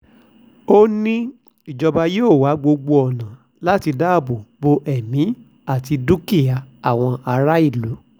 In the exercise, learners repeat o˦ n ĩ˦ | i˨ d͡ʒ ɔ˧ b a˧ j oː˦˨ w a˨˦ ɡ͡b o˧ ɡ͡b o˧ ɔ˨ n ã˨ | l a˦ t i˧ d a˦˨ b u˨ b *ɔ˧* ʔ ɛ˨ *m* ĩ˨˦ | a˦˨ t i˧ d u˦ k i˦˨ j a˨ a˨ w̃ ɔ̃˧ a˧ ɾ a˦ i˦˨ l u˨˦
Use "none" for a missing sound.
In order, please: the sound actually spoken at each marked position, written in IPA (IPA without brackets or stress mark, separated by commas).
o˧, m